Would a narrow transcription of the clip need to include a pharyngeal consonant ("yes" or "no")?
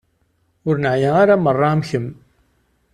yes